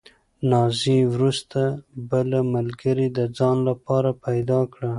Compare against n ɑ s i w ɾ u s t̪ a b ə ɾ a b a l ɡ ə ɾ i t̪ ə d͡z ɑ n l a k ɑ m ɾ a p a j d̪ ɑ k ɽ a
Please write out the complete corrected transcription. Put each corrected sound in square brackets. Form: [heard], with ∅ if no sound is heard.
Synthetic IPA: n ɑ [z] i w ɾ u s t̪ a b ə [l] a [m] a l ɡ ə ɾ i [d̪] ə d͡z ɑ n l a [p] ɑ [∅] ɾ a p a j d̪ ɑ k ɽ a